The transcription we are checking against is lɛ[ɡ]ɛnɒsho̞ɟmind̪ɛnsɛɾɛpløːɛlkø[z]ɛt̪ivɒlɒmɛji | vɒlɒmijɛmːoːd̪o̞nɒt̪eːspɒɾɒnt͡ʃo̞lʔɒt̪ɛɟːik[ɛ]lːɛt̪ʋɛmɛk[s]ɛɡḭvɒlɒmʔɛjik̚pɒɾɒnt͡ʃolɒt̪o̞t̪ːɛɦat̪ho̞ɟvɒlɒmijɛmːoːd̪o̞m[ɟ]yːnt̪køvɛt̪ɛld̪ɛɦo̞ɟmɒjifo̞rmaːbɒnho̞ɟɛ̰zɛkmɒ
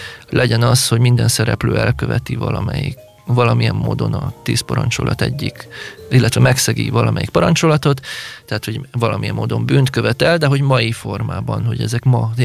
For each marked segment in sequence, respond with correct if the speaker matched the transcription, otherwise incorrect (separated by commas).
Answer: incorrect, incorrect, incorrect, correct, incorrect